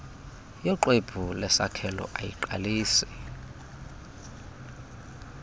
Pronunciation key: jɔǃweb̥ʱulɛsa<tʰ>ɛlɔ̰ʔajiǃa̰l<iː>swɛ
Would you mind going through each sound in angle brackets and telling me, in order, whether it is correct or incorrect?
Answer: incorrect: kʰ, correct

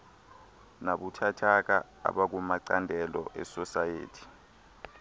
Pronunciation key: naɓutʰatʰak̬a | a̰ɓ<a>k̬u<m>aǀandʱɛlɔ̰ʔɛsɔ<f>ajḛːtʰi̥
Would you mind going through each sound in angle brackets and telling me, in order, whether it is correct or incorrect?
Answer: correct, correct, incorrect: s

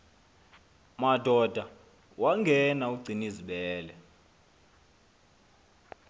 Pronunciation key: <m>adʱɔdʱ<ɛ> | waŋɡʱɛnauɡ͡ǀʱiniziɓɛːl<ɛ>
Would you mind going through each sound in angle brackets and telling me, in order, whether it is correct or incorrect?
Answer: correct, incorrect: a, correct

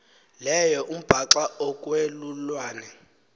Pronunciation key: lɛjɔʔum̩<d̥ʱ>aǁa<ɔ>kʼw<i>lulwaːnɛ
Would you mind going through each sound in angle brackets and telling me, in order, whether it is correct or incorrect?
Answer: incorrect: b̥ʱ, correct, incorrect: e

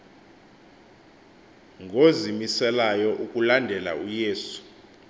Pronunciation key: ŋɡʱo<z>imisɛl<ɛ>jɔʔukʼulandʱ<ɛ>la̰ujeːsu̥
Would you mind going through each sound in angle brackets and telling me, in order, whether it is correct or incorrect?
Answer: correct, incorrect: a, correct

